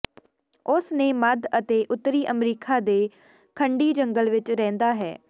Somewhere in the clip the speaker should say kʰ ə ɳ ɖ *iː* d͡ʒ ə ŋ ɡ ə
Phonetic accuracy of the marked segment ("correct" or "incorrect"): correct